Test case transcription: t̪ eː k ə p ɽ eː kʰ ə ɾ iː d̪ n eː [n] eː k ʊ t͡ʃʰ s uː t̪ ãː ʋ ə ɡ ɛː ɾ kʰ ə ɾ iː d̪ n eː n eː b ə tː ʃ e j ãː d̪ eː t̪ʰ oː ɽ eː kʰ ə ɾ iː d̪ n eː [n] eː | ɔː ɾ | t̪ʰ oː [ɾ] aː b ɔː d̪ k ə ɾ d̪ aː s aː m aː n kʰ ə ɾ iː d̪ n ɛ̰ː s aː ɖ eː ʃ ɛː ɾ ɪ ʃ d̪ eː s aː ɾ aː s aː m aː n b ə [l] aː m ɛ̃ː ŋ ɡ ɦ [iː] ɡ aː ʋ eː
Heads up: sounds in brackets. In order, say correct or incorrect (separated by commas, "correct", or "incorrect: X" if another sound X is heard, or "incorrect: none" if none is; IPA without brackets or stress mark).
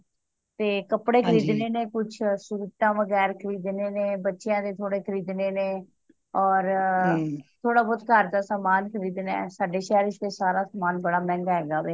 correct, correct, incorrect: ɽ, incorrect: ɽ, incorrect: ɛː